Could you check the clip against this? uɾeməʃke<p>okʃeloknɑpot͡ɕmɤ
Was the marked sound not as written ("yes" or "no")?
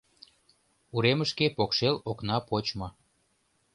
no